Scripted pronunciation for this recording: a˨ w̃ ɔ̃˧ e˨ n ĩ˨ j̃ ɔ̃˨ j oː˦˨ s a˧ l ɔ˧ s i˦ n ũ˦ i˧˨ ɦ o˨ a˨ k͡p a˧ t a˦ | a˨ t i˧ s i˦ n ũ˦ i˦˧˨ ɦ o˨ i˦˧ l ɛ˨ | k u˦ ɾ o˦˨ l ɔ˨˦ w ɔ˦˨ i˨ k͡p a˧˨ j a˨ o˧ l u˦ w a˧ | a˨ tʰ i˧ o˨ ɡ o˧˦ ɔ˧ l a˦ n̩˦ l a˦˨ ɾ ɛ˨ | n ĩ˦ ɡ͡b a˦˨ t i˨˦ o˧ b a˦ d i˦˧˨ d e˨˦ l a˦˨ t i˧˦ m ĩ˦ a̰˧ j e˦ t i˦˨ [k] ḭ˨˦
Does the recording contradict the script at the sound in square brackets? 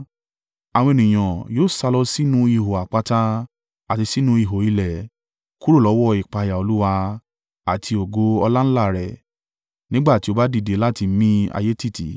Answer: yes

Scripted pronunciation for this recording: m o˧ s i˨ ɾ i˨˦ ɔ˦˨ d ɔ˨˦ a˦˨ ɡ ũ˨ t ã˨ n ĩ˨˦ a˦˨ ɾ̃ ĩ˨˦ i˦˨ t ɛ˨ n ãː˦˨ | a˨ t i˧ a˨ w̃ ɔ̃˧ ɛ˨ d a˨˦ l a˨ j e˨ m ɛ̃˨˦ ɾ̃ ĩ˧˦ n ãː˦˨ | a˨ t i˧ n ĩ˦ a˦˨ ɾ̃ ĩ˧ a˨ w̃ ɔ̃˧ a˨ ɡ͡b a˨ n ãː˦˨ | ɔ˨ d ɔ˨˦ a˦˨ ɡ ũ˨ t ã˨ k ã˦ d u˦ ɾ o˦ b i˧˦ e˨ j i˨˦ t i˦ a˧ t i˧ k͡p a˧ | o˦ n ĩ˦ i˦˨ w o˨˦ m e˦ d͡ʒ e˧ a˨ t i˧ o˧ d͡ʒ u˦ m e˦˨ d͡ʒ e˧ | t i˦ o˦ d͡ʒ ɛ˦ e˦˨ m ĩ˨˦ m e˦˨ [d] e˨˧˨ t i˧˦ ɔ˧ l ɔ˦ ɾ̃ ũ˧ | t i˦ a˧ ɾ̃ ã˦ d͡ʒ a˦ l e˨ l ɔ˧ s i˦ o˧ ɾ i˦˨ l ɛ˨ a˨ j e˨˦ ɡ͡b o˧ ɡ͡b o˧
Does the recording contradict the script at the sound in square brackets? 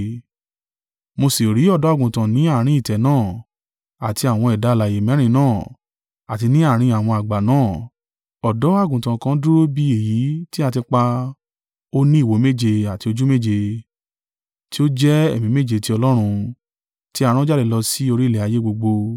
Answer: yes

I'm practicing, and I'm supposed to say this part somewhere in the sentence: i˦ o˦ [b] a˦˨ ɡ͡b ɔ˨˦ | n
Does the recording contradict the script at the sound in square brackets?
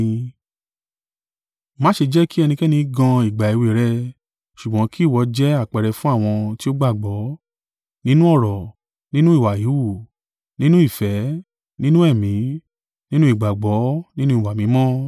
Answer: yes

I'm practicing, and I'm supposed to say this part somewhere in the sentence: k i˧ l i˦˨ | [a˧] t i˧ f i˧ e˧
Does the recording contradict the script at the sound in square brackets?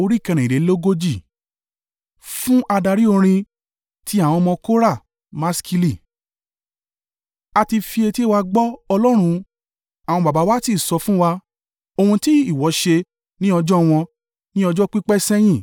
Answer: no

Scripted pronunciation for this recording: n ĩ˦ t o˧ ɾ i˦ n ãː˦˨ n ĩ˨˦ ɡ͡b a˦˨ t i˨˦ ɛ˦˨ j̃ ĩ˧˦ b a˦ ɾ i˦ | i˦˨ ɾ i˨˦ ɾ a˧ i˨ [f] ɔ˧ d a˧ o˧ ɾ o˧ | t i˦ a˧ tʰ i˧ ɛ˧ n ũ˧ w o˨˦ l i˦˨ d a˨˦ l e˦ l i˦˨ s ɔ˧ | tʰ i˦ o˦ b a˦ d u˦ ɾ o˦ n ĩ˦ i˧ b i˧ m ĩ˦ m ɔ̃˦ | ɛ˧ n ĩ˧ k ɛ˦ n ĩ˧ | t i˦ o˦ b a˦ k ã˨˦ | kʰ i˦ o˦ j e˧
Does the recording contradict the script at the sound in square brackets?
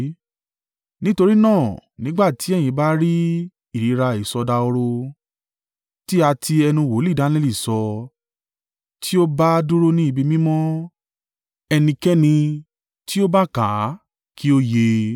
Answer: yes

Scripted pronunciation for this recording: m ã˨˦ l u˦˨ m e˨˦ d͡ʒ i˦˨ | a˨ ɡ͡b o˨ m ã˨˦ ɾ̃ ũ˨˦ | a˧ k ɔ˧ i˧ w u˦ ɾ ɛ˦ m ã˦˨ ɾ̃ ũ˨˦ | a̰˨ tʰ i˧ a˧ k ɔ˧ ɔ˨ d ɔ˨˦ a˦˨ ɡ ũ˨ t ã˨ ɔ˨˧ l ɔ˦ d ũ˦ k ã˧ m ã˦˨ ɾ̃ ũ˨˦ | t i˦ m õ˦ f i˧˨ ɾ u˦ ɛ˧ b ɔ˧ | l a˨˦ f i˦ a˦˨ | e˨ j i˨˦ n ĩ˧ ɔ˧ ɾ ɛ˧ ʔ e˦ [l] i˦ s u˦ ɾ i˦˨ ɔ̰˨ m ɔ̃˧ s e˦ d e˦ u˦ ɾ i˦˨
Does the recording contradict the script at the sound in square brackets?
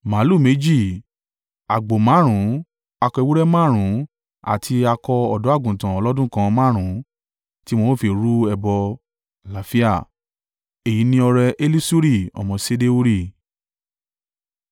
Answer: no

